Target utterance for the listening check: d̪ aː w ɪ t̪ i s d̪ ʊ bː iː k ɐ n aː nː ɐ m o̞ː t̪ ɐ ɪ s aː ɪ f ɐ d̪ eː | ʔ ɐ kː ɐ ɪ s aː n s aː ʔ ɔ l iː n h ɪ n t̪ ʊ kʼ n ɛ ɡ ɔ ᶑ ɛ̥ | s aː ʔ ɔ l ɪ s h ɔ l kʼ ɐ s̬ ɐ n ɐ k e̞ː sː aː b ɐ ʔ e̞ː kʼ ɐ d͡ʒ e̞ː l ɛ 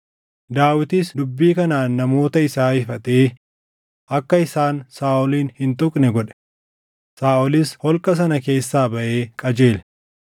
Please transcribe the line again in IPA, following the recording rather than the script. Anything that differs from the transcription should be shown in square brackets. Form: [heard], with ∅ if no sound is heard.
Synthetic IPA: d̪ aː w ɪ t̪ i s d̪ ʊ bː iː k ɐ n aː nː ɐ m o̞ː t̪ ɐ ɪ s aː ɪ f ɐ [t̪] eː | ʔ ɐ kː ɐ ɪ s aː n s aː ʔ ɔ l iː n h ɪ n t̪ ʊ kʼ n ɛ ɡ ɔ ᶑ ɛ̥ | s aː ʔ ɔ l ɪ s h ɔ l kʼ ɐ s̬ ɐ n ɐ k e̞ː sː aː b ɐ ʔ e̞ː kʼ ɐ d͡ʒ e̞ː l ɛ

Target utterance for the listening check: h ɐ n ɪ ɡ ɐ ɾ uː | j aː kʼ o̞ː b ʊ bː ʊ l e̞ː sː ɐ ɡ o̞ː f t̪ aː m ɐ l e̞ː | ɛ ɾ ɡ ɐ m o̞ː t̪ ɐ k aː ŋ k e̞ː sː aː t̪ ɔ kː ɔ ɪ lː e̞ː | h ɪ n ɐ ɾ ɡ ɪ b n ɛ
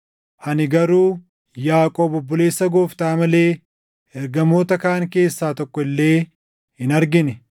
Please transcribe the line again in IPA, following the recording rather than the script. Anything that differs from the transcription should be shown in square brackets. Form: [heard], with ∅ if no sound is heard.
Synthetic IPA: h ɐ n ɪ ɡ ɐ ɾ uː | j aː kʼ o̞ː b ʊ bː ʊ l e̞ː sː ɐ ɡ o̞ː f t̪ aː m ɐ l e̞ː | ɛ ɾ ɡ ɐ m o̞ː t̪ ɐ k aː ŋ k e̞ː sː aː t̪ ɔ kː ɔ ɪ lː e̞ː | h ɪ n ɐ ɾ ɡ ɪ [∅] n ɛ

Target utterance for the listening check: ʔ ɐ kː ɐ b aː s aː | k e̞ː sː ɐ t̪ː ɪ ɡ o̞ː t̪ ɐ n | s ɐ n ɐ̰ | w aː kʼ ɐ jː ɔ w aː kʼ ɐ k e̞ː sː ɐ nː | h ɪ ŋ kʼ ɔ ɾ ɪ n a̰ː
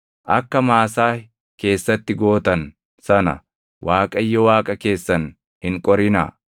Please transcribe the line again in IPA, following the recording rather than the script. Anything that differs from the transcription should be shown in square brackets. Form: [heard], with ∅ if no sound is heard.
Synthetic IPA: ʔ ɐ kː ɐ [m] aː s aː | k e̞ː sː ɐ t̪ː ɪ ɡ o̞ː t̪ ɐ n | s ɐ n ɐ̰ | w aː kʼ ɐ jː ɔ w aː kʼ ɐ k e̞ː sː ɐ [n] | h ɪ ŋ kʼ ɔ ɾ ɪ n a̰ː

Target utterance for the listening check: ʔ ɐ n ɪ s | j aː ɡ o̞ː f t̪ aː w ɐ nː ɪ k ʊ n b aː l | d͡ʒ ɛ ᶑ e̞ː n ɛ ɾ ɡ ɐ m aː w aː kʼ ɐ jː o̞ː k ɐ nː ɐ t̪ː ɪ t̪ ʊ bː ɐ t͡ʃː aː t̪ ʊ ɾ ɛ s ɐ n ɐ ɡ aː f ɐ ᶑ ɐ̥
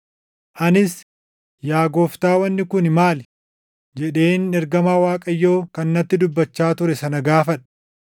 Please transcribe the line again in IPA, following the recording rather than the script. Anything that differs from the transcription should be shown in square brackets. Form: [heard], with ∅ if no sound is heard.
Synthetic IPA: ʔ ɐ n ɪ s | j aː ɡ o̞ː f t̪ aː w ɐ nː ɪ k ʊ n [m] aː l | d͡ʒ ɛ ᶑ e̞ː n ɛ ɾ ɡ ɐ m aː w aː kʼ ɐ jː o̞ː k ɐ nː ɐ t̪ː ɪ [d̪] ʊ bː ɐ t͡ʃː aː t̪ ʊ ɾ ɛ s ɐ n ɐ ɡ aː f ɐ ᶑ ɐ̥

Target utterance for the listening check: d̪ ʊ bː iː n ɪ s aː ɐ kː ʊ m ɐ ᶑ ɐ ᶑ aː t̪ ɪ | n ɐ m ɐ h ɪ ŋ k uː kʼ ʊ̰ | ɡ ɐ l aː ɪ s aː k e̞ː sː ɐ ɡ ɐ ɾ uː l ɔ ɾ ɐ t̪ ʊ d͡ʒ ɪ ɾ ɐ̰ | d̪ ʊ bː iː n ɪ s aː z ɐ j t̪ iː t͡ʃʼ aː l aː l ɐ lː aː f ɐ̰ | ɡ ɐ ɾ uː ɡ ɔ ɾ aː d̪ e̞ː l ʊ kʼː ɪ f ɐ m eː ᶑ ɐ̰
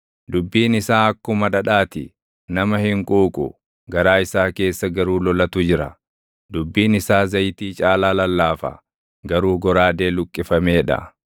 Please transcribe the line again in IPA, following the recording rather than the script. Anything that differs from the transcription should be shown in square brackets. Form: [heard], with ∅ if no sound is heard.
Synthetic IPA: d̪ ʊ bː iː n ɪ s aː ɐ kː ʊ m ɐ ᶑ ɐ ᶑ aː t̪ ɪ | n ɐ m ɐ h ɪ ŋ [kʼ] uː kʼ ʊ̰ | ɡ ɐ [ɾ] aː ɪ s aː k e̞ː sː ɐ ɡ ɐ ɾ uː l ɔ [l] ɐ t̪ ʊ d͡ʒ ɪ ɾ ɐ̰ | d̪ ʊ bː iː n ɪ s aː z ɐ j t̪ iː t͡ʃʼ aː l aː l ɐ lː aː f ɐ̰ | ɡ ɐ ɾ uː ɡ ɔ ɾ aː d̪ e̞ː l ʊ kʼː ɪ f ɐ m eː ᶑ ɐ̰

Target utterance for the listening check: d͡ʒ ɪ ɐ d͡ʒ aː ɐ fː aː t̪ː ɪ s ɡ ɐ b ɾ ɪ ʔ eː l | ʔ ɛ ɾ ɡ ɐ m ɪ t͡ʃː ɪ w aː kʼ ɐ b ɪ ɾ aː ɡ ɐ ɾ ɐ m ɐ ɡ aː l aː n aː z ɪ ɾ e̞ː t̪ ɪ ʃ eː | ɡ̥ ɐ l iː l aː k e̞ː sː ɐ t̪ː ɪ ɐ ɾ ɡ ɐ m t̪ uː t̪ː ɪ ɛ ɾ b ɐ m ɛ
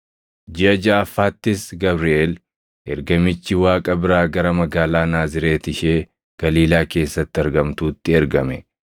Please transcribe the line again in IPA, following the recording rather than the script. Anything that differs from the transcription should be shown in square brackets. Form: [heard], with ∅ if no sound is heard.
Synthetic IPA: d͡ʒ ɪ ɐ d͡ʒ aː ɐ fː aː t̪ː ɪ s ɡ ɐ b ɾ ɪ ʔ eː l | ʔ ɛ ɾ ɡ ɐ m ɪ t͡ʃː ɪ w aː kʼ ɐ b ɪ ɾ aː ɡ ɐ ɾ ɐ m ɐ ɡ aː l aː n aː z ɪ ɾ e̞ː t̪ ɪ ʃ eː | ɡ̥ ɐ l iː l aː k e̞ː sː ɐ t̪ː ɪ ɐ ɾ ɡ ɐ m t̪ uː t̪ː ɪ ɛ ɾ [ɡ] ɐ m ɛ

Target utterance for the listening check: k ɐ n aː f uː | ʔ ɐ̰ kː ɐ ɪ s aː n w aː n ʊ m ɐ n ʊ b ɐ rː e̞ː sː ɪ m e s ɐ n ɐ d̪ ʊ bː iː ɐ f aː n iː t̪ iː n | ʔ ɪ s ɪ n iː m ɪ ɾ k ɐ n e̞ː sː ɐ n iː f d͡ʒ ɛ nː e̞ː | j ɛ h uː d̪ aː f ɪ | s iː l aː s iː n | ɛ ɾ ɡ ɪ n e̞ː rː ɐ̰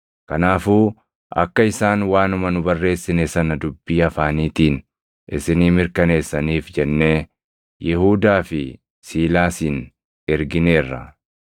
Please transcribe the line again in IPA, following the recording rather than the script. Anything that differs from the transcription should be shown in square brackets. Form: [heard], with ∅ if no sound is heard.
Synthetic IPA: k ɐ n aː f uː | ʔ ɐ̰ kː ɐ ɪ s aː n w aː n ʊ m ɐ n ʊ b ɐ rː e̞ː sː ɪ [n] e s ɐ n ɐ d̪ ʊ bː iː ɐ f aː n iː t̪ iː n | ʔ ɪ s ɪ n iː m ɪ ɾ k ɐ n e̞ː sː ɐ n iː f d͡ʒ ɛ nː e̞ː | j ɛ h uː d̪ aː f ɪ | s iː l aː s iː n | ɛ ɾ ɡ ɪ n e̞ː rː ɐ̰

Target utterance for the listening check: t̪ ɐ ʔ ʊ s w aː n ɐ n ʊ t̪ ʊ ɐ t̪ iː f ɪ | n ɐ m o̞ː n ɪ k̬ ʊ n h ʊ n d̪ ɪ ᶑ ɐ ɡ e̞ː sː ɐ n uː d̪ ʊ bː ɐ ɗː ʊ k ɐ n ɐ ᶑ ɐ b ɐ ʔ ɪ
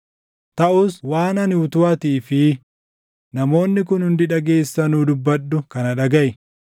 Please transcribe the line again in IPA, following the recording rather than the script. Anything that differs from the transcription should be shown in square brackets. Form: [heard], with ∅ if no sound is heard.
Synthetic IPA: t̪ ɐ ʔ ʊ s w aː n ɐ n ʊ t̪ ʊ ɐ t̪ iː f ɪ | n ɐ m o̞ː [nː] ɪ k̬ ʊ n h ʊ n d̪ ɪ ᶑ ɐ ɡ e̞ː sː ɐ n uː d̪ ʊ bː ɐ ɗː ʊ k ɐ n ɐ ᶑ ɐ [ɡ] ɐ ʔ ɪ

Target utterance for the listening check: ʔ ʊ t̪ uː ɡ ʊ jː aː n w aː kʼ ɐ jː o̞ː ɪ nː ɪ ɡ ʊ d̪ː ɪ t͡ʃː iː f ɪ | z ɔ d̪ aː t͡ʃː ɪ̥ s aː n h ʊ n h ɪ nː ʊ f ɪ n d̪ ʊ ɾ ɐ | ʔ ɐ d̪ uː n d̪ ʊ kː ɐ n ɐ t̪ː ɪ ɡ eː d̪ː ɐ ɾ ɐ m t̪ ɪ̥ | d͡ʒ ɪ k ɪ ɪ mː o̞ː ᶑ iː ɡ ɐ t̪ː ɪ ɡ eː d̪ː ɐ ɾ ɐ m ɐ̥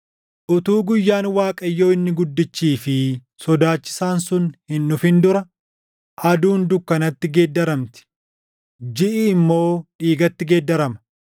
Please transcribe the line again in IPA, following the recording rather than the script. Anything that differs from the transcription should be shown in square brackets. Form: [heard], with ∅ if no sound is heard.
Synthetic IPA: ʔ ʊ t̪ uː ɡ ʊ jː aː n w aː kʼ ɐ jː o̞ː ɪ nː ɪ ɡ ʊ d̪ː ɪ t͡ʃː iː f ɪ | [s] ɔ d̪ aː t͡ʃː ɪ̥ s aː n [s] ʊ n h ɪ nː ʊ f ɪ n d̪ ʊ ɾ ɐ | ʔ ɐ d̪ uː n d̪ ʊ kː ɐ n ɐ t̪ː ɪ ɡ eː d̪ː ɐ ɾ ɐ m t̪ ɪ̥ | d͡ʒ ɪ [ʔ] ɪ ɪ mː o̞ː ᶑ iː ɡ ɐ t̪ː ɪ ɡ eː d̪ː ɐ ɾ ɐ m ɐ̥

